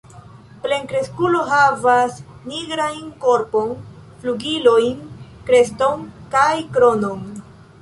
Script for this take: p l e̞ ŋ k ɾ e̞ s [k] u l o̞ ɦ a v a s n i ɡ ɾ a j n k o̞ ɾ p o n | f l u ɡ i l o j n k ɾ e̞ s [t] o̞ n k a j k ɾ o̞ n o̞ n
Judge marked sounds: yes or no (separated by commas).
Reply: yes, yes